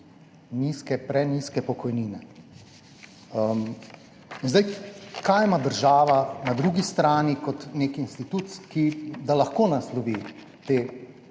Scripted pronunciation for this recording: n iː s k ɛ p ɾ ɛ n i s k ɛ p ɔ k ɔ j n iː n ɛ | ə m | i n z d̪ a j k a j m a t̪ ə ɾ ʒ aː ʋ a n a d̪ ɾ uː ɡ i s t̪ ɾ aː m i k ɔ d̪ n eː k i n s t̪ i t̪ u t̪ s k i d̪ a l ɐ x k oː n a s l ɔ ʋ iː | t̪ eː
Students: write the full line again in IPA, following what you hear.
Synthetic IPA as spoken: n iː s k ɛ p ɾ ɛ n i s k ɛ p ɔ k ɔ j n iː n ɛ | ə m | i n z d̪ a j k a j m a d̪ ə ɾ ʒ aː ʋ a n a d̪ ɾ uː ɡ i s t̪ ɾ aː n i k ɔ t̪ n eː k i n s t̪ i t̪ u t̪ s k i d̪ a l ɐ x k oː n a s l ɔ ʋ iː | t̪ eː